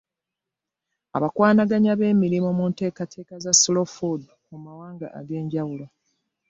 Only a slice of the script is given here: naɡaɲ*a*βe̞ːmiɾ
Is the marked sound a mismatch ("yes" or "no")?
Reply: no